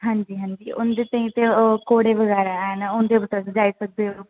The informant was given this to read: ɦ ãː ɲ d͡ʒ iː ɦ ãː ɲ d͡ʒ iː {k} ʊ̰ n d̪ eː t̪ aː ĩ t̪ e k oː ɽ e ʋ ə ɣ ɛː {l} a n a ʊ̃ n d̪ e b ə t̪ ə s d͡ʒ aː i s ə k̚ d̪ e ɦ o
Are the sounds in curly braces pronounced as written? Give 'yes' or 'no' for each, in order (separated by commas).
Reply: no, no